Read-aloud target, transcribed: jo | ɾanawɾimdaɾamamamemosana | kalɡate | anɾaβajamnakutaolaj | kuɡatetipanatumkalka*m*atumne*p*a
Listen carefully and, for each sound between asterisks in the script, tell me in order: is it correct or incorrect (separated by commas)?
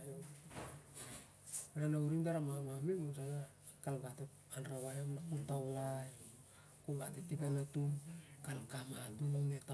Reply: correct, incorrect